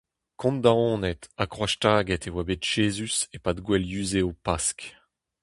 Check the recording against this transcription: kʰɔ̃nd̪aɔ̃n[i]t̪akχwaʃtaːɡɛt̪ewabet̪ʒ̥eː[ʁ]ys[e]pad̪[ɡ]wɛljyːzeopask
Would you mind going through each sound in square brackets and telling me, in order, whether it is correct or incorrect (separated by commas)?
incorrect, incorrect, correct, correct